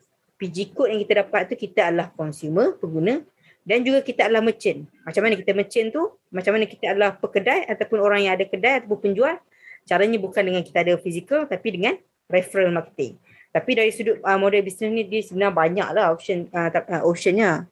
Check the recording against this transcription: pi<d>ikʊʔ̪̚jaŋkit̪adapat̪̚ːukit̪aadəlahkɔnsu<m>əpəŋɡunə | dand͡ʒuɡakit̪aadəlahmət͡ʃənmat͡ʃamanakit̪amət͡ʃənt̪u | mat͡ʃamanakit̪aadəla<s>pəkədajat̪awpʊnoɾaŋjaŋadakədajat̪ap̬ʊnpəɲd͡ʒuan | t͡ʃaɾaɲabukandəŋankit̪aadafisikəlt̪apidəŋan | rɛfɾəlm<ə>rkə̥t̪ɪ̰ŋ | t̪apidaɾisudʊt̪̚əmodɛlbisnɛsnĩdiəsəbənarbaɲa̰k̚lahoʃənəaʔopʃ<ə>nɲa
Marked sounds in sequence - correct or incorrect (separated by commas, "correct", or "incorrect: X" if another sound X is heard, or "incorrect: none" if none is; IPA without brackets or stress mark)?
incorrect: d͡ʒ, correct, incorrect: h, incorrect: a, correct